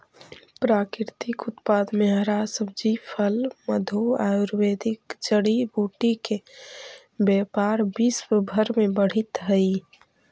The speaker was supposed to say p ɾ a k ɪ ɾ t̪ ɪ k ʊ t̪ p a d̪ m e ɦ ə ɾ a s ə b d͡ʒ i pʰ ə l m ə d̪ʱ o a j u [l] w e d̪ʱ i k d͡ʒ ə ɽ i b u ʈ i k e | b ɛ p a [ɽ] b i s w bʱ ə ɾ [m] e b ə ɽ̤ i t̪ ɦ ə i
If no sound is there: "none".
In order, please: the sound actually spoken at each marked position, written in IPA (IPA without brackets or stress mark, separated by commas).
ɾ, ɾ, m